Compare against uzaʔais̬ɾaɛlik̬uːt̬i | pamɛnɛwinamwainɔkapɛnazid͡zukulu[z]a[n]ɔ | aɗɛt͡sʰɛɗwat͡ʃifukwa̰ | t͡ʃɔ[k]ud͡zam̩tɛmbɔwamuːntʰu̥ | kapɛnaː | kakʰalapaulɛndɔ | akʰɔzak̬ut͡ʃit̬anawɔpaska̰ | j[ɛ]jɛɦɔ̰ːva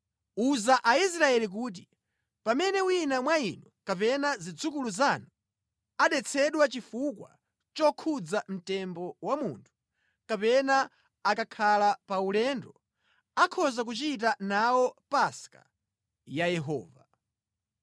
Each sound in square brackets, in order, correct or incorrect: correct, correct, incorrect: kʰ, incorrect: a

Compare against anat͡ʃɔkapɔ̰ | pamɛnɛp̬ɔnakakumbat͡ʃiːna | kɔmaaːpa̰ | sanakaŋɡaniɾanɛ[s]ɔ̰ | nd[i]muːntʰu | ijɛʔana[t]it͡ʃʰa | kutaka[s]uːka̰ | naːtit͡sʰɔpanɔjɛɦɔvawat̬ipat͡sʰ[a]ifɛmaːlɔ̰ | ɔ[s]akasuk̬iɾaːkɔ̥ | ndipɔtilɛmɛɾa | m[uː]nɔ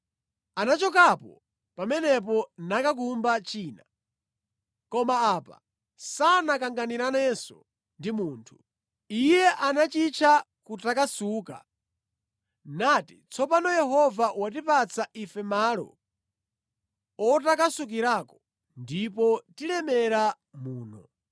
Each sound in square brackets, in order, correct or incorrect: correct, correct, incorrect: t͡ʃ, correct, correct, incorrect: t, correct

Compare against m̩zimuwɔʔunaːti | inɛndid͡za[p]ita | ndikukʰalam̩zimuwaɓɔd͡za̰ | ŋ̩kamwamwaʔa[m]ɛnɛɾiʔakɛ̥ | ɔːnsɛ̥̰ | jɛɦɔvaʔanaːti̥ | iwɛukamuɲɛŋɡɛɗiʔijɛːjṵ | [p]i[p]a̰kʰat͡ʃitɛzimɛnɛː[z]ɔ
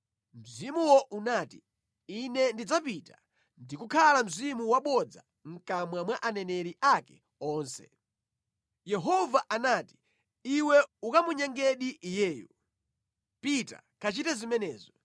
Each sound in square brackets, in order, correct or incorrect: correct, incorrect: n, correct, incorrect: t, correct

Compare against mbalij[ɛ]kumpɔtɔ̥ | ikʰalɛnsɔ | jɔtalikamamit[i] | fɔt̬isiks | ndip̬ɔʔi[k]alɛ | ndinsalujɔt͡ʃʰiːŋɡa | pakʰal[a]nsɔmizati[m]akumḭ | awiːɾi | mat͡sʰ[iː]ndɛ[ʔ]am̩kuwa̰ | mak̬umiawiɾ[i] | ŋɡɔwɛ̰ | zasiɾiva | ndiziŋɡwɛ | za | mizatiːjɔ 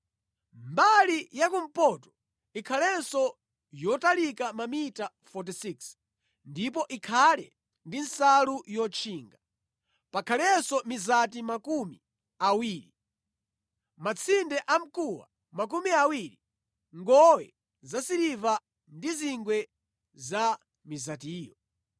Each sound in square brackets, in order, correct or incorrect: incorrect: a, incorrect: a, incorrect: kʰ, incorrect: ɛ, correct, incorrect: i, correct, correct

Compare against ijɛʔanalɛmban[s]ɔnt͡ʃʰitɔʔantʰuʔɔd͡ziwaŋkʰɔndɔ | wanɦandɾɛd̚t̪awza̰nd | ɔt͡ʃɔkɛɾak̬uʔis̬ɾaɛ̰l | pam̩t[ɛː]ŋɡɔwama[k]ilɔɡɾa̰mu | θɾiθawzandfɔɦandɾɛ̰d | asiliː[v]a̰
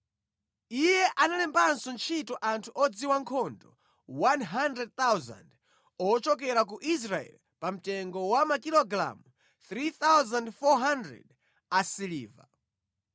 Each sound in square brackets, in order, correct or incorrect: correct, incorrect: ɛ, correct, correct

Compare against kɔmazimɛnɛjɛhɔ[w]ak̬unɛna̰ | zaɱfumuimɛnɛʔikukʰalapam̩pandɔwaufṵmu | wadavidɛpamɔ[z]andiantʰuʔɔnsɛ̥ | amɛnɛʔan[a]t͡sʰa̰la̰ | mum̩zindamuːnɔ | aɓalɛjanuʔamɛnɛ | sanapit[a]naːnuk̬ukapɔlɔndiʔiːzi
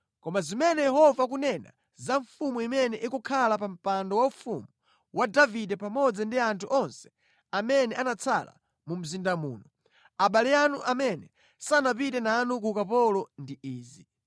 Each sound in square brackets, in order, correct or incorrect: incorrect: v, incorrect: d͡z, correct, incorrect: ɛ

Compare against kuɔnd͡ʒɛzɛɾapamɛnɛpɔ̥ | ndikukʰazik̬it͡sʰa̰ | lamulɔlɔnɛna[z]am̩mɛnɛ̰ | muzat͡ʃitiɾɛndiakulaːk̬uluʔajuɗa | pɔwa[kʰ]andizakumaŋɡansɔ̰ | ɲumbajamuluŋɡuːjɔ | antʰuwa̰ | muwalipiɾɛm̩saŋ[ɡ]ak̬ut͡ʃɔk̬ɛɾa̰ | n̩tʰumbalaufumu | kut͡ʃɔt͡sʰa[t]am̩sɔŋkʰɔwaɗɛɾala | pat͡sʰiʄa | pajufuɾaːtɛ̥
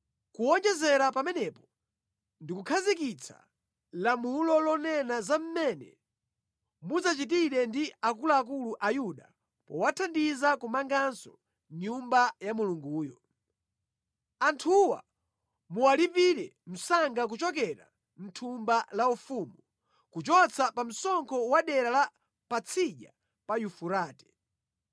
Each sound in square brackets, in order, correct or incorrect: correct, incorrect: tʰ, correct, incorrect: p

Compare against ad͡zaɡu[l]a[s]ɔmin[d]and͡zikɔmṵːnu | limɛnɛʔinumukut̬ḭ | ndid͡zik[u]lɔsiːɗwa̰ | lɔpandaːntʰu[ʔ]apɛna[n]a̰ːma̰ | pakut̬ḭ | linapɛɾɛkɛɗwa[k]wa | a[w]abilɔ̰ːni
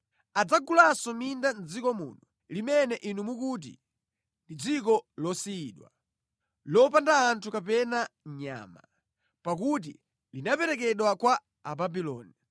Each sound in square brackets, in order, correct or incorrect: correct, correct, correct, incorrect: ɔ, incorrect: k, incorrect: ɲ, correct, incorrect: b

